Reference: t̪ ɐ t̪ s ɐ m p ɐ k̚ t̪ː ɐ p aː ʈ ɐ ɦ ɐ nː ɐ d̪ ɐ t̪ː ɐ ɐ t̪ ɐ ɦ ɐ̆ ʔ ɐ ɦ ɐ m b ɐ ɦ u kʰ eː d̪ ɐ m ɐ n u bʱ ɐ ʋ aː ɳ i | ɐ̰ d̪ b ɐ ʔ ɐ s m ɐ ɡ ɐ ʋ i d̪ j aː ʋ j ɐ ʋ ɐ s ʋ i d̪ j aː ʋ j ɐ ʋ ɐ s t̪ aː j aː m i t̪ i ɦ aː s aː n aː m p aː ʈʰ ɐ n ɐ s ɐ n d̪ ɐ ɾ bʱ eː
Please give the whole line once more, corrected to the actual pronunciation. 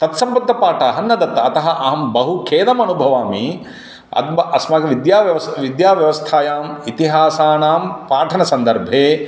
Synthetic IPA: t̪ ɐ t̪ s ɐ m p ɐ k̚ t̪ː ɐ p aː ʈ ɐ ɦ ɐ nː ɐ d̪ ɐ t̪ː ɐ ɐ t̪ ɐ ɦ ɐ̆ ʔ ɐ ɦ ɐ m b ɐ ɦ u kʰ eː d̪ ɐ m ɐ n u bʱ ɐ ʋ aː m i | ɐ̰ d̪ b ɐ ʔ ɐ s m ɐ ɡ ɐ ʋ i d̪ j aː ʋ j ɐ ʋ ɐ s ʋ i d̪ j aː ʋ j ɐ ʋ ɐ s t̪ʰ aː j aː m i t̪ i ɦ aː s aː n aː m p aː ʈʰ ɐ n ɐ s ɐ n d̪ ɐ ɾ bʱ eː